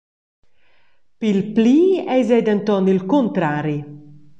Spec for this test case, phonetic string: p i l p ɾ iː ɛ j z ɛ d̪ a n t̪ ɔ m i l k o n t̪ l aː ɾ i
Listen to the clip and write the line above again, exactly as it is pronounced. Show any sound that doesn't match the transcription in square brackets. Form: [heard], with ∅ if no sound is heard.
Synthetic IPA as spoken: p i l p [l] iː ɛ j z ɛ d̪ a n t̪ ɔ [n] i l k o n t̪ [ɾ] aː ɾ i